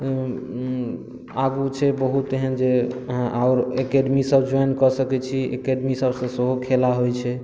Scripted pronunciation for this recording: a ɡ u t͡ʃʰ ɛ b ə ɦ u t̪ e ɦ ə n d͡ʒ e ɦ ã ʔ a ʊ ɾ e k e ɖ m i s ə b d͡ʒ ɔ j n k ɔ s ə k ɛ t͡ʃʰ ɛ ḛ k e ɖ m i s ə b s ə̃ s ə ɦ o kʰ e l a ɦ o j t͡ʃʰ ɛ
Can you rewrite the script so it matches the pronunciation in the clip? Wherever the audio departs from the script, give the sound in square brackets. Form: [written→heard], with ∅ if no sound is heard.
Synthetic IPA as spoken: a ɡ u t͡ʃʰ ɛ b ə ɦ u t̪ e ɦ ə n d͡ʒ e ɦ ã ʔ a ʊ ɾ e k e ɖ m i s ə b d͡ʒ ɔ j n k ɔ s ə k ɛ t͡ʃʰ [ɛ→i] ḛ k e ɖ m i s ə b s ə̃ s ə ɦ o kʰ e l a ɦ o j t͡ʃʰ ɛ